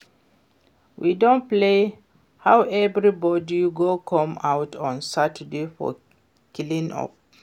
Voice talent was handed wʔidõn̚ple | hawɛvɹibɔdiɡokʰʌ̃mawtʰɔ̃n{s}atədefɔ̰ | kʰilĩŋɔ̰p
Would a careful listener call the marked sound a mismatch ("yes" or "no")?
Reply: no